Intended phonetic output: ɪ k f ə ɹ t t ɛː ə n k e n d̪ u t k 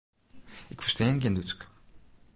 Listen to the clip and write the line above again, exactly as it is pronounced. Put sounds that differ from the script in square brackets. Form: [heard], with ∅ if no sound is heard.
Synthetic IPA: ɪ k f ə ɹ [s] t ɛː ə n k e n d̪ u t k